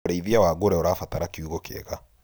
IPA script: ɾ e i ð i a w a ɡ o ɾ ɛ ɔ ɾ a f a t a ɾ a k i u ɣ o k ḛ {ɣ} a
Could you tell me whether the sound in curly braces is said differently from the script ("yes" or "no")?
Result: no